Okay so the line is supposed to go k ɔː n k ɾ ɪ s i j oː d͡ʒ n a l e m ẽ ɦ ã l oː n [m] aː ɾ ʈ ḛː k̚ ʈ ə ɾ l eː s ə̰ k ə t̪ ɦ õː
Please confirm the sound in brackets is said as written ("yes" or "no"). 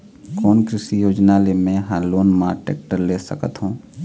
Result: yes